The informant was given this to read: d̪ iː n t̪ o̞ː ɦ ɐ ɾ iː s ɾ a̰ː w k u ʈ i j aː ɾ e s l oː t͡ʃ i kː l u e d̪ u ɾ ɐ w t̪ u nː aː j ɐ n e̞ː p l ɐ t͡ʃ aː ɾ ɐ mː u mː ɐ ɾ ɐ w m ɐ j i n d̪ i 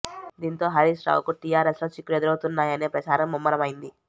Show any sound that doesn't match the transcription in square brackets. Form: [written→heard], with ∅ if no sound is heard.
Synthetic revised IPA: d̪ iː n t̪ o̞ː ɦ ɐ ɾ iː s ɾ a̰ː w k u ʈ i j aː ɾ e s l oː t͡ʃ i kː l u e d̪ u ɾ ɐ w t̪ u nː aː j ɐ n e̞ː p [l→ɾ] ɐ t͡ʃ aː ɾ ɐ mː u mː ɐ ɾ ɐ [w→∅] m ɐ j i n d̪ i